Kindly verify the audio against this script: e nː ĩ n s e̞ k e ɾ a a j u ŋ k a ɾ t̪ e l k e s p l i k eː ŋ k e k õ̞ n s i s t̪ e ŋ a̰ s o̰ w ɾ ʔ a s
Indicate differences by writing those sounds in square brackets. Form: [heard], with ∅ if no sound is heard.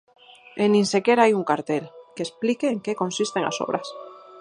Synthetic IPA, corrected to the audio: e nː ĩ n s e̞ k e ɾ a a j u ŋ k a ɾ t̪ e l k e s p l i k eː ŋ k e k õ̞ n s i s t̪ e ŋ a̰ s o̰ [β] ɾ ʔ a s